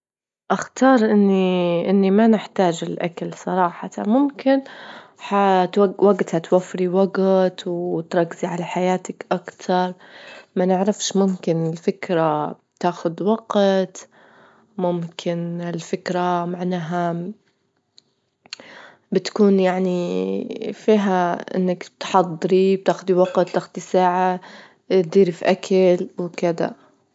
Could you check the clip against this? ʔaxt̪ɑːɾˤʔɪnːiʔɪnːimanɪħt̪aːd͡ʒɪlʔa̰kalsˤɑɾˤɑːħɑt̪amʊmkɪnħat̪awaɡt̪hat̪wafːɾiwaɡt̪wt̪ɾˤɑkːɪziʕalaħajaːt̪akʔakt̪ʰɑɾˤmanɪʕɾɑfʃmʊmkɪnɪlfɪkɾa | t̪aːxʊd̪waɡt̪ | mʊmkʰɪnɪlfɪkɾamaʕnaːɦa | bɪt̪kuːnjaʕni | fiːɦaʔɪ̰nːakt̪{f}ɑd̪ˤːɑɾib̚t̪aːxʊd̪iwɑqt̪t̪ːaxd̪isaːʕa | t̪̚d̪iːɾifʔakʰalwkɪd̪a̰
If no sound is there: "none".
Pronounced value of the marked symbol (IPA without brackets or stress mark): ħ